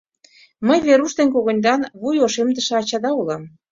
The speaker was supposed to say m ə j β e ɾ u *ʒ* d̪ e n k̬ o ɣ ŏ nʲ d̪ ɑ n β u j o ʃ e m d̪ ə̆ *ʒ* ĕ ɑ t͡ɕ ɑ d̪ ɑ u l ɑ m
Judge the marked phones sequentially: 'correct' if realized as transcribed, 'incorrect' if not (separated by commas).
incorrect, incorrect